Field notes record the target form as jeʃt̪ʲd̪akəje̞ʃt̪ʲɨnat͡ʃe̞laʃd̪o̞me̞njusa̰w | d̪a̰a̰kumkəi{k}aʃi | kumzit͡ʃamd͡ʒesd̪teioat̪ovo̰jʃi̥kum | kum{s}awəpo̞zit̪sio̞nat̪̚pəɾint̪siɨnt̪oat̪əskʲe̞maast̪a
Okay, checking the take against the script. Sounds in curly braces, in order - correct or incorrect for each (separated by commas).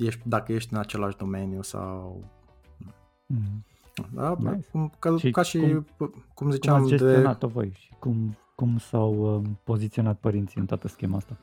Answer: correct, correct